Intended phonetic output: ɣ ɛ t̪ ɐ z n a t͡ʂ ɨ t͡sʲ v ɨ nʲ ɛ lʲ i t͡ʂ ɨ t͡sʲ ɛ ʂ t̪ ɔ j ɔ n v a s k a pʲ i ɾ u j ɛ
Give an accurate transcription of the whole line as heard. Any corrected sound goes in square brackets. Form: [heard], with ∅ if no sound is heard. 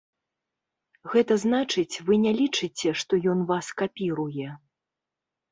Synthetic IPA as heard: ɣ ɛ t̪ ɐ z n a t͡ʂ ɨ t͡sʲ v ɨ nʲ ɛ lʲ i t͡ʂ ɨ t͡sʲ ɛ ʂ t̪ ɔ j ɔ n v a s k a pʲ i ɾ u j ɛ